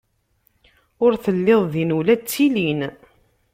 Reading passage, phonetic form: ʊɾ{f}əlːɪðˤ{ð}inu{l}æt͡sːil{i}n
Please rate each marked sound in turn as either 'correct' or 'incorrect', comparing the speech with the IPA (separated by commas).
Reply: incorrect, correct, correct, correct